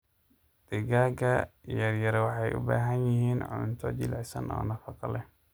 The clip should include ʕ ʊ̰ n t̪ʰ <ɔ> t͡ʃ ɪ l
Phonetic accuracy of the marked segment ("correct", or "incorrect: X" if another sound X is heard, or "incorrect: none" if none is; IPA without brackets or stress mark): correct